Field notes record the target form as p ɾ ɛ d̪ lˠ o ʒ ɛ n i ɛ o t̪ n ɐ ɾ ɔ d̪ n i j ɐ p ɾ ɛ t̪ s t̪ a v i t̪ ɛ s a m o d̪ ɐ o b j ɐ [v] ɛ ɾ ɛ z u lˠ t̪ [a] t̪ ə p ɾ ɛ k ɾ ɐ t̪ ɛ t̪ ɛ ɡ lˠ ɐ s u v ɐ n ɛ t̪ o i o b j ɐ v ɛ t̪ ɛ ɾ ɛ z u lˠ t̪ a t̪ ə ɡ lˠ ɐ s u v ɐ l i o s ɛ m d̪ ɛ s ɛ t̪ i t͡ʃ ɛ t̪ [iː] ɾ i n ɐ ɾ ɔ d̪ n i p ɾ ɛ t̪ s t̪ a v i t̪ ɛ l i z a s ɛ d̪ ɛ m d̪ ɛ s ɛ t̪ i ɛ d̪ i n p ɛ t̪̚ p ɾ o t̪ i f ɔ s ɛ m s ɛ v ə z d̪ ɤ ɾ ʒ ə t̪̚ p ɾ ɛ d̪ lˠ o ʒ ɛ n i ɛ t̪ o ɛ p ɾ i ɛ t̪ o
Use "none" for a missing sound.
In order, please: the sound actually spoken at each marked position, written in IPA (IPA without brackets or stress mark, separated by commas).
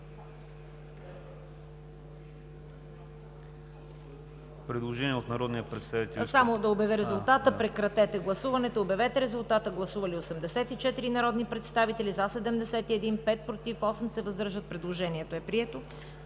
v, a, i